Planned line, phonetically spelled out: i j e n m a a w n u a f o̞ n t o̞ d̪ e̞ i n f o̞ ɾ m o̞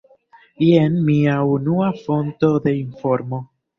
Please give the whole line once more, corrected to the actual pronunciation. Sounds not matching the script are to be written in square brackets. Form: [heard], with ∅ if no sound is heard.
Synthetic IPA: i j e n m [i] a [u] n u a f o̞ n t o̞ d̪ e̞ i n f o̞ ɾ m o̞